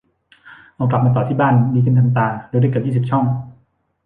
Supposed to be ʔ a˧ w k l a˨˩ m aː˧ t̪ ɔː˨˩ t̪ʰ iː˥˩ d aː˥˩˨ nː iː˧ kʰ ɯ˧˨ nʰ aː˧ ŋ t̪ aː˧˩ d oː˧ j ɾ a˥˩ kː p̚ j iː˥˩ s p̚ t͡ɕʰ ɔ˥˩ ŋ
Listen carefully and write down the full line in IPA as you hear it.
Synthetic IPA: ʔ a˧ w k l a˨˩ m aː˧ t̪ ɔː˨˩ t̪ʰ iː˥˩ b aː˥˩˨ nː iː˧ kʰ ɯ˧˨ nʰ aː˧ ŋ t̪ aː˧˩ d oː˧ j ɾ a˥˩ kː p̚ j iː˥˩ s p̚ t͡ɕʰ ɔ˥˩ ŋ